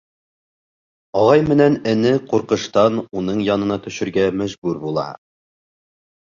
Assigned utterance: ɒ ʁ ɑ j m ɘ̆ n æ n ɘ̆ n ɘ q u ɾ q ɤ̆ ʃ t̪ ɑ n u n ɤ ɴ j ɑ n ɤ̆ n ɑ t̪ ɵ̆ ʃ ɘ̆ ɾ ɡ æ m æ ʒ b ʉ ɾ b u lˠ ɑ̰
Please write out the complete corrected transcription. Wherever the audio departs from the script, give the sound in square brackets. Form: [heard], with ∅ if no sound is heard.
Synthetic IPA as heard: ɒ ʁ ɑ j m ɘ̆ n æ n ɘ̆ n ɘ q u ɾ q ɤ̆ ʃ t̪ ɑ n u n ɤ ɴ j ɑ n ɤ̆ n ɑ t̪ ɵ̆ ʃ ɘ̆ ɾ ɡ æ m æ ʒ b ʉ ɾ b u lˠ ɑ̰